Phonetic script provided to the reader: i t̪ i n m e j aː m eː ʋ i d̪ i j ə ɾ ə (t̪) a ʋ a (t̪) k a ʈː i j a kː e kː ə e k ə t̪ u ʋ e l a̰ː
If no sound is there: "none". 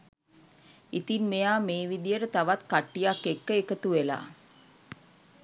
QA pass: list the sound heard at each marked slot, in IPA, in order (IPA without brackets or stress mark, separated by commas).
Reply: t̪, t̪